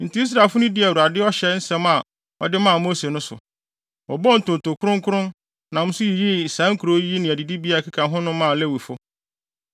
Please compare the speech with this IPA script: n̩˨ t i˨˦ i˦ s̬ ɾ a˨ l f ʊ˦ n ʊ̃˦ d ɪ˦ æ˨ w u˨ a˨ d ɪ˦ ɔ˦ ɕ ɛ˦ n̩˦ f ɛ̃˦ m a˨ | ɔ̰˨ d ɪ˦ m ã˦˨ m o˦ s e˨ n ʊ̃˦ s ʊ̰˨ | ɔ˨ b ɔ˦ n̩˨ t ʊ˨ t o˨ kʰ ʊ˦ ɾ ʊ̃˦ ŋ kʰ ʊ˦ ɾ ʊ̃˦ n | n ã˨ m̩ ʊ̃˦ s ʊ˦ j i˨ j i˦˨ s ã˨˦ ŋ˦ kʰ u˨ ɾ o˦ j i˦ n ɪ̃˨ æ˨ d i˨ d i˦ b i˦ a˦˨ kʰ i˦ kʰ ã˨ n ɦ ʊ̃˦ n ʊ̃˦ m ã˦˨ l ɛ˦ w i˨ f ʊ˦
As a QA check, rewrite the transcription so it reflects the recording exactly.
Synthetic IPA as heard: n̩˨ t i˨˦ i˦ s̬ ɾ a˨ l f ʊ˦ n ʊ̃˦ d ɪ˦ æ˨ w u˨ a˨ d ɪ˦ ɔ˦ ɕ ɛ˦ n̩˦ s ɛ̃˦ m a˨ | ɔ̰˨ d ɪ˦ m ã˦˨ m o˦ s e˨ n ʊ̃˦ s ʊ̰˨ | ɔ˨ b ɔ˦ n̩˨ t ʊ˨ t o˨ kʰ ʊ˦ ɾ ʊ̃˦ ŋ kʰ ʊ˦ ɾ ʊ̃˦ n | n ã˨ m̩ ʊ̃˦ s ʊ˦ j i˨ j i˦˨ s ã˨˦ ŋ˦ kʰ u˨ ɾ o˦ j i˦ n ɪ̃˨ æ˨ d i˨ d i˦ b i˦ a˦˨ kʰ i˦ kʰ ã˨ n ɦ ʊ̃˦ n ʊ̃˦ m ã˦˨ l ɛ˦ w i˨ f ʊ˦